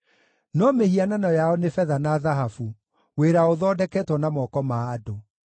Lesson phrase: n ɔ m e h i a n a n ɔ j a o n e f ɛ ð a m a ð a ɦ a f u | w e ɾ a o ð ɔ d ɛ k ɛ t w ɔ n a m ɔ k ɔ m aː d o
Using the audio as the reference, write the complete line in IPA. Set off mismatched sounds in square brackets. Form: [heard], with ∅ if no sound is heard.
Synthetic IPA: n ɔ m e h i a n a n ɔ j a [ɔ] n e f ɛ ð a [n] a ð a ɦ a f u | w e ɾ a o ð ɔ d ɛ k ɛ t w ɔ n a m ɔ k ɔ m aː d o